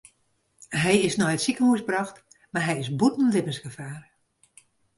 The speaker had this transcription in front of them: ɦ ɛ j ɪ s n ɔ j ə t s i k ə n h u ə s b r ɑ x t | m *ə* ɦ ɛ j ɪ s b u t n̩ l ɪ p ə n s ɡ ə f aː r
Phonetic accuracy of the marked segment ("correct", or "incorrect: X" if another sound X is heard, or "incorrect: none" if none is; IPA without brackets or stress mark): incorrect: a